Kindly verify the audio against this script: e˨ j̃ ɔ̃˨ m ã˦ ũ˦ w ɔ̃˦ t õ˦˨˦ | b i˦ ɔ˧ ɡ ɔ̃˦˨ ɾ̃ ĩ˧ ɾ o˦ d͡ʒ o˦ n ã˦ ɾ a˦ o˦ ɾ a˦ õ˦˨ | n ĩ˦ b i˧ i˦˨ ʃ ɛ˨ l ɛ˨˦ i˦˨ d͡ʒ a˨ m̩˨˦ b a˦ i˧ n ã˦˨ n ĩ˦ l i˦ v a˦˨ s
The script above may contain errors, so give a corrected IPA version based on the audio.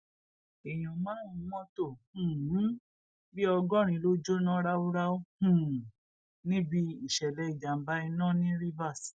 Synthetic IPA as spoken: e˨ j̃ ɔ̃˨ m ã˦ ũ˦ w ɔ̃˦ t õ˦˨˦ | b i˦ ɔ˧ ɡ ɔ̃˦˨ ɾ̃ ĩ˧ l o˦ d͡ʒ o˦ n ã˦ ɾ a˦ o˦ ɾ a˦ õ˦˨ | n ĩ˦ b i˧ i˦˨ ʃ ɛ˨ l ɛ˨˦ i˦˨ d͡ʒ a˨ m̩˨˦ b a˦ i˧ n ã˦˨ n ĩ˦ ɾ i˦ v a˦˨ s